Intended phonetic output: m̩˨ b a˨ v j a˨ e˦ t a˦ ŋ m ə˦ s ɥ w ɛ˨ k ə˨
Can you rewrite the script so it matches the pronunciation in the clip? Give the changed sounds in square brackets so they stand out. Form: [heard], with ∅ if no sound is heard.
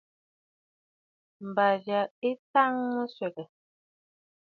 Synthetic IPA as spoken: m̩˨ b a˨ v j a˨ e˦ t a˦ ŋ m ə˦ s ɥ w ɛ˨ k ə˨